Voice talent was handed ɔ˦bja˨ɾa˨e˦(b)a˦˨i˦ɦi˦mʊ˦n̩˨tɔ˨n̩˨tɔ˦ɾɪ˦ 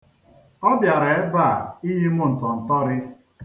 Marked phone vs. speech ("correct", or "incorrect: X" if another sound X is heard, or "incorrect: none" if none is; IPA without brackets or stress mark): correct